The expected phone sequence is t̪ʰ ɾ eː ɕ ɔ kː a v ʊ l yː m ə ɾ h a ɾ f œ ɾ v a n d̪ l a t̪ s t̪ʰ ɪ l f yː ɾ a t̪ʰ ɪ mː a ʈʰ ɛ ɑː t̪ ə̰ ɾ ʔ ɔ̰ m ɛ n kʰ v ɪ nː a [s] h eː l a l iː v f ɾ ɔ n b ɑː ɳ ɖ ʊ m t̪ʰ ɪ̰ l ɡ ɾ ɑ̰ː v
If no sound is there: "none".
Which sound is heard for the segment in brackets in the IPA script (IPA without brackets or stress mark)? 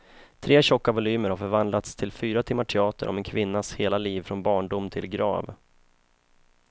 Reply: s